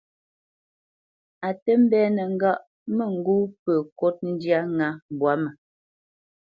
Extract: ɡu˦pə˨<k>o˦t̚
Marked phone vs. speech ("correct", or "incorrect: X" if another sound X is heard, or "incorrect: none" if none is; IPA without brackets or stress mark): correct